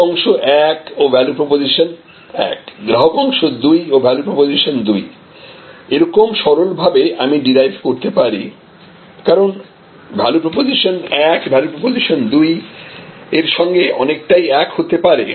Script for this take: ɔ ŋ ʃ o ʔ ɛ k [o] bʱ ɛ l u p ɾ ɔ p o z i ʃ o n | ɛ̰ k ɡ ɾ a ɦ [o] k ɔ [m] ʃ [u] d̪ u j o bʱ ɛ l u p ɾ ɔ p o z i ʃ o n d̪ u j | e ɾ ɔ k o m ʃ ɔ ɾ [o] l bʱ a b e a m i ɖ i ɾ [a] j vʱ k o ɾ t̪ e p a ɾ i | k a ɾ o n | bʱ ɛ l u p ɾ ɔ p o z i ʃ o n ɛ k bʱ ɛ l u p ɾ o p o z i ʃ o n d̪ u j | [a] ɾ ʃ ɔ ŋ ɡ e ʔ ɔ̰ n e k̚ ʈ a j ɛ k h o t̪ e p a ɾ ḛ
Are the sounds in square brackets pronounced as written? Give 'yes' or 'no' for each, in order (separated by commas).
yes, yes, no, no, yes, yes, no